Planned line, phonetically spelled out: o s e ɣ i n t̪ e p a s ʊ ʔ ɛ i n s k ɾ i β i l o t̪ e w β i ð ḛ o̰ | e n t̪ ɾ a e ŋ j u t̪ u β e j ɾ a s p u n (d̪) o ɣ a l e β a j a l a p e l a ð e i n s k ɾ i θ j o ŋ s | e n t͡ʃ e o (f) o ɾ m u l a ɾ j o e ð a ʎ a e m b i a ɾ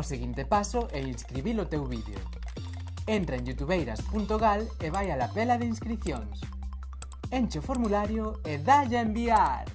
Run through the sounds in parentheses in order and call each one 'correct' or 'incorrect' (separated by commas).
incorrect, correct